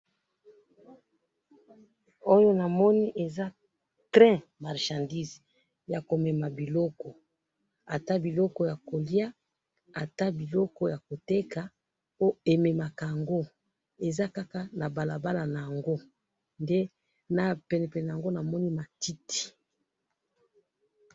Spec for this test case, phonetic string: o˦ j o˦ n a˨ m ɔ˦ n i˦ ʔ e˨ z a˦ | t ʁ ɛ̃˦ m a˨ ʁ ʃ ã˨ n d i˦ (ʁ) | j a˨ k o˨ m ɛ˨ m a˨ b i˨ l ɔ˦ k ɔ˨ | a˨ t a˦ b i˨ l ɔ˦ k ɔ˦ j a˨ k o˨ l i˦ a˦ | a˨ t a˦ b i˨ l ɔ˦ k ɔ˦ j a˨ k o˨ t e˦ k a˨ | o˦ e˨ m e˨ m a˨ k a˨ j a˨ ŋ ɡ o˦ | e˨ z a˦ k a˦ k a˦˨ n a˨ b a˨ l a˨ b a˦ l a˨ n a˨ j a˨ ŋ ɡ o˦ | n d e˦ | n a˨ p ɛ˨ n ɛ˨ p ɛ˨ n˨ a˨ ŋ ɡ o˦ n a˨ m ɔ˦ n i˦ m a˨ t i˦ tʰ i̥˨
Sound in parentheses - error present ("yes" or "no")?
yes